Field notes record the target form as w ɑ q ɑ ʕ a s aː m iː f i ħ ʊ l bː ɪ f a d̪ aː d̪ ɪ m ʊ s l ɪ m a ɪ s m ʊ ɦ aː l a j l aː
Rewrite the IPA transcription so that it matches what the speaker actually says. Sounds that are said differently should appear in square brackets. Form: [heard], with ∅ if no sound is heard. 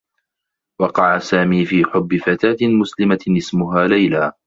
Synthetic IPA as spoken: w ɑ q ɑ ʕ a s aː m iː f [iː] ħ ʊ [∅] bː ɪ f a [t̪] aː [t̪] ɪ m ʊ s l ɪ m a ɪ s m ʊ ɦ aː l a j l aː